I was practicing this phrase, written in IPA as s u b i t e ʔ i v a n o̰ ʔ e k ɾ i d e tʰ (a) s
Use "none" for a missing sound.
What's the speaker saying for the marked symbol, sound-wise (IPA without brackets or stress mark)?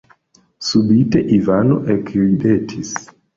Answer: i